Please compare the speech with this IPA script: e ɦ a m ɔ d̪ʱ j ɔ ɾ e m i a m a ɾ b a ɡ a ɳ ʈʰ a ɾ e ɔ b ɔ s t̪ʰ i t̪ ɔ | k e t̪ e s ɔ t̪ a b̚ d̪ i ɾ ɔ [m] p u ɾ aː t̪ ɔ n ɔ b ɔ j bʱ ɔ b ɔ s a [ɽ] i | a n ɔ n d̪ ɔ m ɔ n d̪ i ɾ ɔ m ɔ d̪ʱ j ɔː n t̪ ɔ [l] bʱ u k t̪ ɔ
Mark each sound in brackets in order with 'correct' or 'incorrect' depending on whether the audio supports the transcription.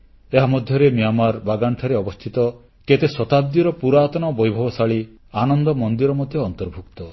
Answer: incorrect: none, incorrect: ɭ, incorrect: ɾ

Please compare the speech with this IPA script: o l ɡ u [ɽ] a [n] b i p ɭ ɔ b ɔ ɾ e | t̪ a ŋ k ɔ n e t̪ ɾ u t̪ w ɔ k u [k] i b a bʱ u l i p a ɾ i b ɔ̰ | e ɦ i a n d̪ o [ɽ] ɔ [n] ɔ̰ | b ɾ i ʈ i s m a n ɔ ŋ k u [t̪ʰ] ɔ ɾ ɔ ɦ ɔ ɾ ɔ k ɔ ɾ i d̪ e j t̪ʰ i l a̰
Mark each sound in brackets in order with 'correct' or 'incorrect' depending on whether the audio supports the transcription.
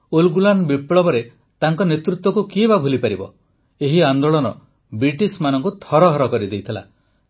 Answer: incorrect: l, correct, correct, incorrect: ɭ, correct, correct

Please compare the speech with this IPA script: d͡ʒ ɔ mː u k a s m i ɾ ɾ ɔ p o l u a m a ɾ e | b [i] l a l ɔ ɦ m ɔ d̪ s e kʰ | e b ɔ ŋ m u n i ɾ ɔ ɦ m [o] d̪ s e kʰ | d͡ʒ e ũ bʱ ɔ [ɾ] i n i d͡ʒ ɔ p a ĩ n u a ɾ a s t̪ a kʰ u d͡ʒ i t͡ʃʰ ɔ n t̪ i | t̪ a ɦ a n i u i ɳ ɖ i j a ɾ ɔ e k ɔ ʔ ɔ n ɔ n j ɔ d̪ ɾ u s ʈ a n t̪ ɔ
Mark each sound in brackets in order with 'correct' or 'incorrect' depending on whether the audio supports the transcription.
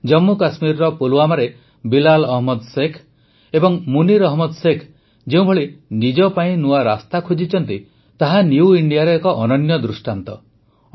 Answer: correct, incorrect: ɔ, incorrect: ɭ

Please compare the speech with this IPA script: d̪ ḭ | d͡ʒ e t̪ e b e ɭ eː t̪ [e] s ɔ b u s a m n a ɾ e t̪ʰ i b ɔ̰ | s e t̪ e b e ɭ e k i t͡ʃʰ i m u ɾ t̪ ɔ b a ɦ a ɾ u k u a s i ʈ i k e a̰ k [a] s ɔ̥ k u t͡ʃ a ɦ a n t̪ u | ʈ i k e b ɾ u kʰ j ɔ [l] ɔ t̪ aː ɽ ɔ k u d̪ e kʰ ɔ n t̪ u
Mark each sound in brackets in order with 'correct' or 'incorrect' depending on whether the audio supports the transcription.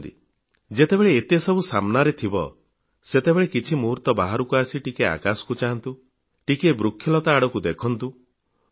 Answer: correct, correct, correct

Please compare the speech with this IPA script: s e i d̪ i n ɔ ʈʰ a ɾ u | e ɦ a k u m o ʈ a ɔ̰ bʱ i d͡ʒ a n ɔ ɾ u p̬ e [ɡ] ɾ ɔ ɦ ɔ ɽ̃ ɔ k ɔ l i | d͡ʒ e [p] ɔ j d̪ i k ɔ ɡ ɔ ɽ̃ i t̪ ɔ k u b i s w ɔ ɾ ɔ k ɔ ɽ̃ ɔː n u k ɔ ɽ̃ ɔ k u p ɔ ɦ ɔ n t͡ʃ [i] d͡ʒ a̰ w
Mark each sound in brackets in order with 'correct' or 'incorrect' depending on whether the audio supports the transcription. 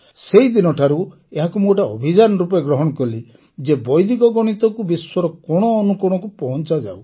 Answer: correct, incorrect: b, incorrect: a

